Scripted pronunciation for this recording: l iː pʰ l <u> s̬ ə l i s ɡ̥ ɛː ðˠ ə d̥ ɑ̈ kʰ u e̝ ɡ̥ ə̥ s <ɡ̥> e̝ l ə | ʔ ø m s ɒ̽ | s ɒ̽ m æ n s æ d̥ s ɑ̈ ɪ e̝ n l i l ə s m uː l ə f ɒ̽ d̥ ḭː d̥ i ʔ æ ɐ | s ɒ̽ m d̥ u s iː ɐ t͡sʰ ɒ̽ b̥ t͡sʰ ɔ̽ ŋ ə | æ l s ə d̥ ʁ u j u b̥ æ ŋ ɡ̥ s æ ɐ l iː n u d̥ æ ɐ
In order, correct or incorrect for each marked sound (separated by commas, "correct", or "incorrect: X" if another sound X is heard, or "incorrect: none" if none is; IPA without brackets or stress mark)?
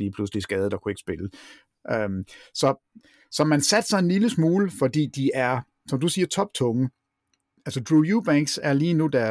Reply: correct, incorrect: b̥